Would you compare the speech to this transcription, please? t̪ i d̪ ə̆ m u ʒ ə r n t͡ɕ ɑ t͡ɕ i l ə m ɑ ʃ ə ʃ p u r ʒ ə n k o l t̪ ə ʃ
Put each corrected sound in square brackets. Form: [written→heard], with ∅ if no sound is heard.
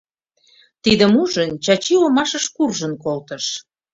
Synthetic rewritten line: t̪ i d̪ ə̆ m u ʒ ə [r→∅] n t͡ɕ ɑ t͡ɕ i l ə m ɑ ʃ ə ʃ [p→k] u r ʒ ə n k o l t̪ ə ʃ